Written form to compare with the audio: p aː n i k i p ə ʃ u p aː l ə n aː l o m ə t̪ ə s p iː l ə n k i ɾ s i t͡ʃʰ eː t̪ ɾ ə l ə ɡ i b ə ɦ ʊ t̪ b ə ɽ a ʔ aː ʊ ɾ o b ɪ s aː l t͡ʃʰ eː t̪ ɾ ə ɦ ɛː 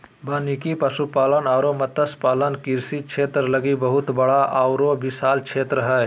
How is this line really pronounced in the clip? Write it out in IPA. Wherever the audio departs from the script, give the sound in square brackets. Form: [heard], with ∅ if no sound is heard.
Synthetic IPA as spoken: [b] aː n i k i p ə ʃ u p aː l ə n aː [ɾ] o m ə t̪ ə s p [aː] l ə n k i ɾ s i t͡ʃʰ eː t̪ ɾ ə l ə ɡ i b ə ɦ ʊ t̪ b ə ɽ a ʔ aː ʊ ɾ o b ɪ s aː l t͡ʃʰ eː t̪ ɾ ə ɦ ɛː